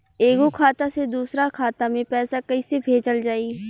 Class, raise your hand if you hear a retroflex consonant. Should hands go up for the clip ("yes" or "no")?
no